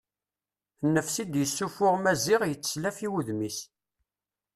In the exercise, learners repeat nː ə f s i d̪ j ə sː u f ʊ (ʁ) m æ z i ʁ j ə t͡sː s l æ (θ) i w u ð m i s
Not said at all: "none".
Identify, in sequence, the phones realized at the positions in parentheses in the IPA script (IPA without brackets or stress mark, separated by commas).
ʁ, f